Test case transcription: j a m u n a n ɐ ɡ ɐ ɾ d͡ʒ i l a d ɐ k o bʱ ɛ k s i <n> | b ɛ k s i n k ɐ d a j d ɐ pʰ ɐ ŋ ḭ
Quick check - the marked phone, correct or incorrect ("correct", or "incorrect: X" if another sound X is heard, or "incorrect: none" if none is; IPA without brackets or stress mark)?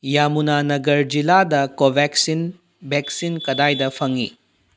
correct